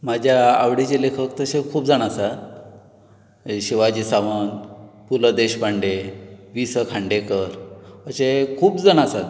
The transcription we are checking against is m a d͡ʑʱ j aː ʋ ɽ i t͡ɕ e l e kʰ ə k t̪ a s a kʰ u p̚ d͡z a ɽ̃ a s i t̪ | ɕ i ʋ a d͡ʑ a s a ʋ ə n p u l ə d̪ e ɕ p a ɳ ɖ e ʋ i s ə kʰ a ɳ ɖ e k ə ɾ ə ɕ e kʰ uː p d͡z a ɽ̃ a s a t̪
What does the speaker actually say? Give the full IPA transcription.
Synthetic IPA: m a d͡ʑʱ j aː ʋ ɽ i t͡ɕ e l e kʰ ə k t̪ ə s e kʰ uː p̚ d͡z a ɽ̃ a s a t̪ | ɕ i ʋ a d͡ʑ i s a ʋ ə n p u l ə d̪ e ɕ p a ɳ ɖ e ʋ i s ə kʰ a ɳ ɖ e k ə ɾ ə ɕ e kʰ uː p d͡z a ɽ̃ a s a t̪